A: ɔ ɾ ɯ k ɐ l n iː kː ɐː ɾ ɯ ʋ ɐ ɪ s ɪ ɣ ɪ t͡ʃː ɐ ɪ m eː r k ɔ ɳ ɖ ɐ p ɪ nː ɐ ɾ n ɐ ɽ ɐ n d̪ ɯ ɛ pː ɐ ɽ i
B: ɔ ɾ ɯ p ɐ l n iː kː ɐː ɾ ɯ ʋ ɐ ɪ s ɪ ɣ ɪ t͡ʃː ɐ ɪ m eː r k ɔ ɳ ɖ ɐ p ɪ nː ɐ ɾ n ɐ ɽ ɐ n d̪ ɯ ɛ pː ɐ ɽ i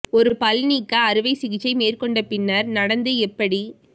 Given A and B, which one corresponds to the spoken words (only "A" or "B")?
B